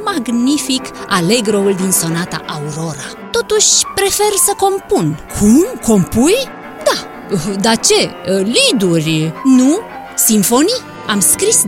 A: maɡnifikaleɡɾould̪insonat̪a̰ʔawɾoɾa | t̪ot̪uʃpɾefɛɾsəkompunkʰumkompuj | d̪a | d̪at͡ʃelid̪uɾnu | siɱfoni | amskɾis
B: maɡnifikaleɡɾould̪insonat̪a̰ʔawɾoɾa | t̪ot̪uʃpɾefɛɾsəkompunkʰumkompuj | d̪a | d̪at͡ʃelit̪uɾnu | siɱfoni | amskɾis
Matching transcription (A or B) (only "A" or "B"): A